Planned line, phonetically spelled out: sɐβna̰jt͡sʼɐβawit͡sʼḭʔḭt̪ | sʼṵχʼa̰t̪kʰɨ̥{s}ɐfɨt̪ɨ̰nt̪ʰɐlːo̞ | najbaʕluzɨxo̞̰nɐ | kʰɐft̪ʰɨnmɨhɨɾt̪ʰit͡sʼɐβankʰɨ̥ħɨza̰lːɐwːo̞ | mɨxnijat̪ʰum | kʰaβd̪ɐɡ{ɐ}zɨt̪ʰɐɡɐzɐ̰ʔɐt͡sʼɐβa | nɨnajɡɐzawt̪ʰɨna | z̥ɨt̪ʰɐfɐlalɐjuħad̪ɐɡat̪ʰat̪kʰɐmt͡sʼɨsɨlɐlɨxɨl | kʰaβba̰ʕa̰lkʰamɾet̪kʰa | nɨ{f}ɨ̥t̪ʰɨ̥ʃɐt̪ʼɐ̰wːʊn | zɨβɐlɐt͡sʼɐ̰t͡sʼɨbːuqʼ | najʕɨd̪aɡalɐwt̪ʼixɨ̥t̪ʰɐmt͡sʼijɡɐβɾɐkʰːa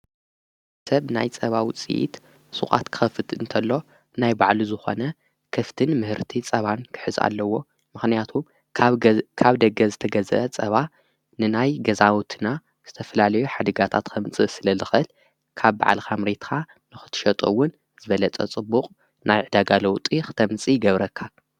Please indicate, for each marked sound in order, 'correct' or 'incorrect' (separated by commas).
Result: incorrect, correct, incorrect